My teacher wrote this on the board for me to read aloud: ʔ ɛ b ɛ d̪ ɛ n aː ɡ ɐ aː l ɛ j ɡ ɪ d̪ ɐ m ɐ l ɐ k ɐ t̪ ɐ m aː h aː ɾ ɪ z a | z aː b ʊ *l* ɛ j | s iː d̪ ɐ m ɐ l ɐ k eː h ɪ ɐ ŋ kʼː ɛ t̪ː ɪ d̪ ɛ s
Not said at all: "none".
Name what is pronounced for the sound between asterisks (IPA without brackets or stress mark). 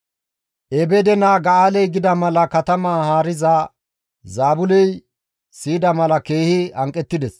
l